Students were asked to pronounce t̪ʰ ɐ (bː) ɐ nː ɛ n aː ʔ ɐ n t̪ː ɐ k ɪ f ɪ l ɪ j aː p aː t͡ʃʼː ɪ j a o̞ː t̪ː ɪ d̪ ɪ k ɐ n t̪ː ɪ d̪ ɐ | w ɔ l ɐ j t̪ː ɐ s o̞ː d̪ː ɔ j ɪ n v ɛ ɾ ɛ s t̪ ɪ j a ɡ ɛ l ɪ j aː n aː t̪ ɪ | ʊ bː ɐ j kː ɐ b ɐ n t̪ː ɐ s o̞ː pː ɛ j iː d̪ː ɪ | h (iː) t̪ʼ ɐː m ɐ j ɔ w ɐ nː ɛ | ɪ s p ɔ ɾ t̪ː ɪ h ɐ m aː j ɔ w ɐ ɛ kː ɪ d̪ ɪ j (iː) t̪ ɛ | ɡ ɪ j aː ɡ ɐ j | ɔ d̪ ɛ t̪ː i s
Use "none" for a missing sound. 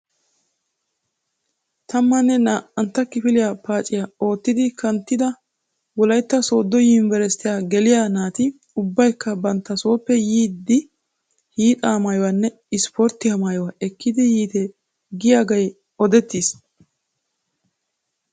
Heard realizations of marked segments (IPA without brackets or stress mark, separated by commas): mː, iː, iː